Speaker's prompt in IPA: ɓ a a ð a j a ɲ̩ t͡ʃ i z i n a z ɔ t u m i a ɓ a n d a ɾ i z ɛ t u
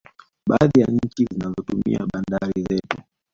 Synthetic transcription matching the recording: ɓ a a ð i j a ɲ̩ t͡ʃ i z i n a z ɔ t u m i a ɓ a n d a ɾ i z ɛ t u